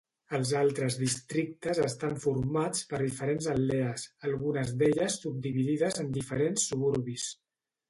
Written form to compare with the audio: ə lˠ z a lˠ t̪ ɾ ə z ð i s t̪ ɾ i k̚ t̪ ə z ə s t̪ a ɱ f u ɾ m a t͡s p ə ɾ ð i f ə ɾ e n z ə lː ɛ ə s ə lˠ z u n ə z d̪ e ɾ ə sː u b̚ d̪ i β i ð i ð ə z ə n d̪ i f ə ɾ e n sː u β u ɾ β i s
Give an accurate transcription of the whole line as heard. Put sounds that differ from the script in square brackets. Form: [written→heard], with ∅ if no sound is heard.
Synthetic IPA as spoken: ə lˠ z a lˠ t̪ ɾ ə z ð i s t̪ ɾ i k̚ t̪ ə z ə s t̪ a ɱ f u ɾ m a t͡s p ə ɾ ð i f ə ɾ e n z ə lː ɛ ə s ə lˠ [z→ɣ] u n ə z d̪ e [ɾ→ʎ] ə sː u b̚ d̪ i β i ð i ð ə z ə n d̪ i f ə ɾ e n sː u β u ɾ β i s